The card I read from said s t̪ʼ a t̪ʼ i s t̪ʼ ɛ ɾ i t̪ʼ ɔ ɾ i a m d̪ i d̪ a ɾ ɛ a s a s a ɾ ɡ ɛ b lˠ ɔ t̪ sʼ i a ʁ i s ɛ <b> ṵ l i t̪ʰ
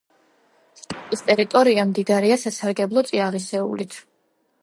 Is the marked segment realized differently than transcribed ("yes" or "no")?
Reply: yes